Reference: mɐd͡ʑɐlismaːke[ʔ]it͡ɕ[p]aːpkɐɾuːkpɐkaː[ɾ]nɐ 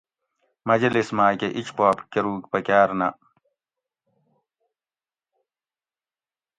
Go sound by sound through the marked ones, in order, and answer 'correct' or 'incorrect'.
correct, correct, correct

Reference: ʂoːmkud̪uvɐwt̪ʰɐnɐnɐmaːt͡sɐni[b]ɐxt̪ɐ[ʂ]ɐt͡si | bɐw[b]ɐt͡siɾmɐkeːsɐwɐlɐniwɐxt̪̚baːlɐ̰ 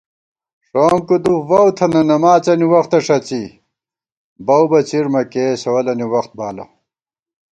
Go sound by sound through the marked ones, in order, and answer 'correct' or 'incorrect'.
incorrect, correct, correct

